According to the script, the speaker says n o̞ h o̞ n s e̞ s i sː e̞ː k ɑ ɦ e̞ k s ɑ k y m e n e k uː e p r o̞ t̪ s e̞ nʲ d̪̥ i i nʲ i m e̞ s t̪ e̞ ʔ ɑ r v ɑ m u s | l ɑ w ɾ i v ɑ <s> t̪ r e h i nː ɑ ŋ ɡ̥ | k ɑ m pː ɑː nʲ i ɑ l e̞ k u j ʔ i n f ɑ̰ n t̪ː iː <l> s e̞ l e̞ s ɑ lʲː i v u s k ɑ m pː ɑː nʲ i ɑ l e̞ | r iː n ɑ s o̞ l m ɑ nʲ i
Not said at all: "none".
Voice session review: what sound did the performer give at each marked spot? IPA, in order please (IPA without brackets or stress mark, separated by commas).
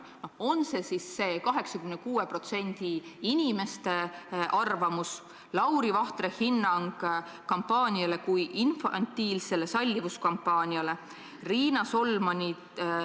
h, l